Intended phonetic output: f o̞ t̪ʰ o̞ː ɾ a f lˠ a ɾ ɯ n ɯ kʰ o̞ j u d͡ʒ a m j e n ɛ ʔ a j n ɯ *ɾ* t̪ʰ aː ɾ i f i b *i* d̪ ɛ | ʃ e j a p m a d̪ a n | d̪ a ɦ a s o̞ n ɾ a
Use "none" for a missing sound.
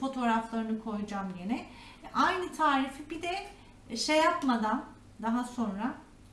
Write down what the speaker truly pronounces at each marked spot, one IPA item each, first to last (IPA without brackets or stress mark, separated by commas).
none, i